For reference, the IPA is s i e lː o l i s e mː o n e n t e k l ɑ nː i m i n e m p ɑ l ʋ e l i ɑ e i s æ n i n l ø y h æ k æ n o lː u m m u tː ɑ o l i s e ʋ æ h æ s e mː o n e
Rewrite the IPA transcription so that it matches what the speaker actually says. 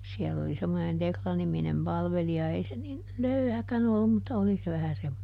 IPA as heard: s i ɛ lː o l i s e mː o n e n t e k l ɑ n i m i n e m p ɑ l ʋ e l i ɑ e i s e n i n l ø y h æ k æ n o lː u m m u tː ɑ o l i s e ʋ æ h æ s e mː o n e